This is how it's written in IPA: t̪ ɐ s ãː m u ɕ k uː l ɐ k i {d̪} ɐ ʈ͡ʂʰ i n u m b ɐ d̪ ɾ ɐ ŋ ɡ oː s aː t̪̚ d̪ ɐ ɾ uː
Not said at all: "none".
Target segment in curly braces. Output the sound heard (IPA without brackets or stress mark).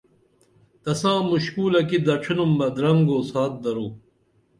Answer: d̪